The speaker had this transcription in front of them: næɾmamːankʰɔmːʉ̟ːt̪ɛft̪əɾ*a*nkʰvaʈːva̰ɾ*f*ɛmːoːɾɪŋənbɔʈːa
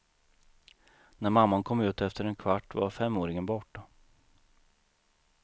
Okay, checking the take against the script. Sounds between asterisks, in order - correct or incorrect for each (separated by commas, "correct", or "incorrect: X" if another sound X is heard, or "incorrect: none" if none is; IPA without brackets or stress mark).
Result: incorrect: ɛ, correct